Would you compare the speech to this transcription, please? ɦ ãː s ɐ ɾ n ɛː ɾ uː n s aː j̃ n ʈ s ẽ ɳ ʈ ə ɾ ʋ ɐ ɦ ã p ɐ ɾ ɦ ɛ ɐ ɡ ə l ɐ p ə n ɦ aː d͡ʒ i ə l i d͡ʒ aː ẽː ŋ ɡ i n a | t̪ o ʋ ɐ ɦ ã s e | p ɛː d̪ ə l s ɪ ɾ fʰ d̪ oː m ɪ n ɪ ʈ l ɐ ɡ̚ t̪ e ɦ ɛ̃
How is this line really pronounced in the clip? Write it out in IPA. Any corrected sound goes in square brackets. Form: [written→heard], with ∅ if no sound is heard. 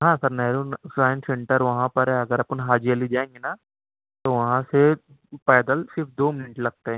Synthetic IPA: ɦ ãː s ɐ ɾ n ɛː ɾ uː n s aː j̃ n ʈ s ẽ ɳ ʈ ə ɾ ʋ ɐ ɦ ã p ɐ ɾ ɦ ɛ ɐ ɡ ə [l→ɾ] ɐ p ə n ɦ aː d͡ʒ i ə l i d͡ʒ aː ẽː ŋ ɡ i n a | t̪ o ʋ ɐ ɦ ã s e | p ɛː d̪ ə l s ɪ ɾ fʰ d̪ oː m ɪ n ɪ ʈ l ɐ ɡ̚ t̪ e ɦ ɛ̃